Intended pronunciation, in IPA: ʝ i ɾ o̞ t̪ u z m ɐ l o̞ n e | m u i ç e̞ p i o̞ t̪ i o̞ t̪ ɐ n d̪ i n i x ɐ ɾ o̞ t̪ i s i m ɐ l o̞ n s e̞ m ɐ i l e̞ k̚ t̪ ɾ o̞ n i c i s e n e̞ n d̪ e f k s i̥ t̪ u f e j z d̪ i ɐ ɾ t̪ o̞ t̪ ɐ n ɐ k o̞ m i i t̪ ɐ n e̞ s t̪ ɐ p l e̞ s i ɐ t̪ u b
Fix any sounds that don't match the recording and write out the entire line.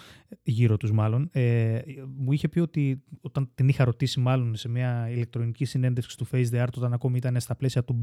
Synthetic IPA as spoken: ʝ i ɾ o̞ t̪ u z m ɐ l o̞ n e | m u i ç e̞ p i o̞ t̪ i o̞ t̪ ɐ n t̪ i n i x ɐ ɾ o̞ t̪ i s i m ɐ l o̞ n s e̞ m ɐ i l e̞ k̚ t̪ ɾ o̞ n i c i s i n e̞ n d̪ e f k s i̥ t̪ u f e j z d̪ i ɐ ɾ t̪ o̞ t̪ ɐ n ɐ k o̞ m i i t̪ ɐ n e̞ s t̪ ɐ p l e̞ s i ɐ t̪ u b